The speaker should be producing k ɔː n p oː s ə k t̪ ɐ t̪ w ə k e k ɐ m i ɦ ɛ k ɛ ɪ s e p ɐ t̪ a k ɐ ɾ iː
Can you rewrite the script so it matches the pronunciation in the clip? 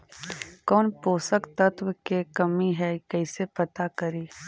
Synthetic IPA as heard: k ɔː n p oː s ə k t̪ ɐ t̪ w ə k e k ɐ m i ɦ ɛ k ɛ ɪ s e p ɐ t̪ a k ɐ ɾ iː